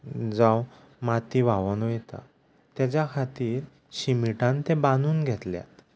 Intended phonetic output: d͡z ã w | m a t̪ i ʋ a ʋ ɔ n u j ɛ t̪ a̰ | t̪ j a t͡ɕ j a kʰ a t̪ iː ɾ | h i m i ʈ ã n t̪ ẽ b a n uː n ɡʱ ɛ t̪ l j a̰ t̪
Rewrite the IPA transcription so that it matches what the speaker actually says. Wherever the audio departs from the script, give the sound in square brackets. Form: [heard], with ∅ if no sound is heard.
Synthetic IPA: d͡z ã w | m a t̪ i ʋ a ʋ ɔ n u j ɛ t̪ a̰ | t̪ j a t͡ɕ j a kʰ a t̪ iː ɾ | [ɕ] i m i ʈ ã n t̪ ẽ b a n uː n ɡʱ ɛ t̪ l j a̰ t̪